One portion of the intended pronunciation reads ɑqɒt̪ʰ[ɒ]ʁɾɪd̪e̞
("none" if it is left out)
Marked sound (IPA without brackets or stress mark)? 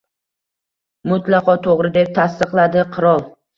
o